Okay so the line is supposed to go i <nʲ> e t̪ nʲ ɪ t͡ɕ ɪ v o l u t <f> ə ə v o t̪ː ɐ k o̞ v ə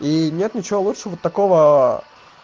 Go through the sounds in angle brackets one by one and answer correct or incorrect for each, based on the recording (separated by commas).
correct, incorrect